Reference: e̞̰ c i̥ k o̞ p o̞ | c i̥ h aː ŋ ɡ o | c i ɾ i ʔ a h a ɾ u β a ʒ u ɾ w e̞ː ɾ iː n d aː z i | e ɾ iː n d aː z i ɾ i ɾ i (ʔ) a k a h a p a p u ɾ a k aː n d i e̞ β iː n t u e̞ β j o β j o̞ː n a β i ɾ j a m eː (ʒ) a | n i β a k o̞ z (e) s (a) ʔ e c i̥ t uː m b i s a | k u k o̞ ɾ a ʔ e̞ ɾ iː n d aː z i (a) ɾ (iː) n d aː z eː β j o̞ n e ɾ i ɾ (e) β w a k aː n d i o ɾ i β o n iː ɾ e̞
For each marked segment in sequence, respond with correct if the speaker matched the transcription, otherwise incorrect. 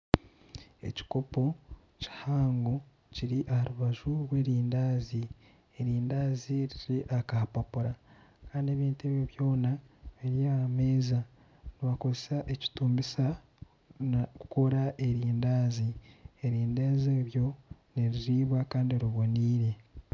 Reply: correct, incorrect: z, correct, correct, incorrect: e, correct, incorrect: i

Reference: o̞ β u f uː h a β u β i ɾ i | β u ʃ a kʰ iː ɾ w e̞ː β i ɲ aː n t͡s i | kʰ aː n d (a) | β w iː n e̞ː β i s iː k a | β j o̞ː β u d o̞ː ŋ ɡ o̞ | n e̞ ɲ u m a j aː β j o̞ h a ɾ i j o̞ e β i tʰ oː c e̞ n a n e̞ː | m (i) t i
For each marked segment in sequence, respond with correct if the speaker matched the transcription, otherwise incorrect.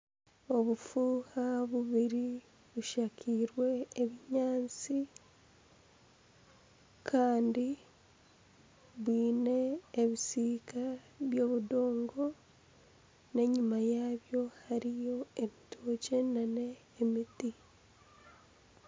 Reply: incorrect: i, correct

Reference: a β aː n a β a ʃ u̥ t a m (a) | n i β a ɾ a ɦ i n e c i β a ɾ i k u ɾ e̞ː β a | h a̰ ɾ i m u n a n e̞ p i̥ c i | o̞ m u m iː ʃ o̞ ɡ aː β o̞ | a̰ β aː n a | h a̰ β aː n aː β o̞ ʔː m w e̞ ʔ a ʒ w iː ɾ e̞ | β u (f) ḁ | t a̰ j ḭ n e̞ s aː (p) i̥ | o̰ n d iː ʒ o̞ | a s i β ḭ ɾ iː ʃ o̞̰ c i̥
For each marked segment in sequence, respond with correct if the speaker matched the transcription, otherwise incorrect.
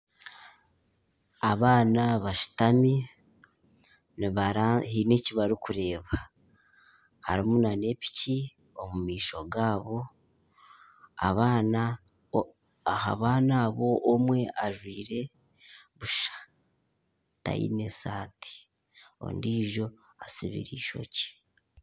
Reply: incorrect: i, incorrect: ʃ, incorrect: t

